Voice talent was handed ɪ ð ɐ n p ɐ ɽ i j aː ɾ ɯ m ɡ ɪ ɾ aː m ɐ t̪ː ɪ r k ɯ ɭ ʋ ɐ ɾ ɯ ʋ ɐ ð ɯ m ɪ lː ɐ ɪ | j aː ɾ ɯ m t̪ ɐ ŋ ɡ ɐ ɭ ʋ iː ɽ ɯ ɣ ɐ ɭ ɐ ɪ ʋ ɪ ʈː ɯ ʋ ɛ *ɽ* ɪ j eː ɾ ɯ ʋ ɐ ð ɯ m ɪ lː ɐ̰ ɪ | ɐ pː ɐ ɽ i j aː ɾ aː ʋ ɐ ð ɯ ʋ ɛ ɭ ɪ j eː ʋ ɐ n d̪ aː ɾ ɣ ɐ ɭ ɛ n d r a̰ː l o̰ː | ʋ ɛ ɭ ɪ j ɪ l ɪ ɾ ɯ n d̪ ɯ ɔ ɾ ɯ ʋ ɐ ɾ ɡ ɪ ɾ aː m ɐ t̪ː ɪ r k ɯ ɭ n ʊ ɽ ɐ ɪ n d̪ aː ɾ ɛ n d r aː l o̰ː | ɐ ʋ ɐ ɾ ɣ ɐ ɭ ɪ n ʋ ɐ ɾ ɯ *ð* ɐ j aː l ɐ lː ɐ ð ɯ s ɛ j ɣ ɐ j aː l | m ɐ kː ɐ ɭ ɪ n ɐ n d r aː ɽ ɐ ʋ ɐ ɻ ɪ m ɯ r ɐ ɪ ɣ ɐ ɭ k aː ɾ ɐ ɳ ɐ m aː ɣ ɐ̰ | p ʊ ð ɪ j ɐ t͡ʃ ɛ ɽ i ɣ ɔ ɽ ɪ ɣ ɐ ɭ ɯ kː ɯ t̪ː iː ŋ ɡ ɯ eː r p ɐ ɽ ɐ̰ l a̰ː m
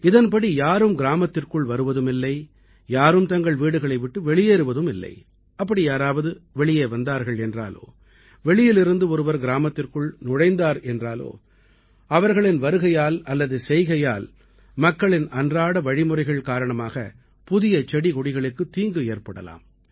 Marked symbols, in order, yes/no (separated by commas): no, no